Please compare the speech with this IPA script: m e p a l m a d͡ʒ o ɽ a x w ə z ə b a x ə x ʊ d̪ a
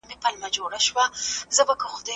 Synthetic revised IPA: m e p a l m a d͡ʒ o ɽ a ʃ w a z ə b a k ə x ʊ d̪ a